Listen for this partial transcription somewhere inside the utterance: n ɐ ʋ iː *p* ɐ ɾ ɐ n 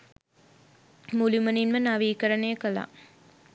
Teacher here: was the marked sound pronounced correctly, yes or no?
no